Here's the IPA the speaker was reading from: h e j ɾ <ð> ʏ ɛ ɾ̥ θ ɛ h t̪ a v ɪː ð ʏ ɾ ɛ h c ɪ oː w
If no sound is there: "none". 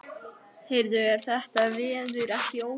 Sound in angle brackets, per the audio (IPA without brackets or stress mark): ð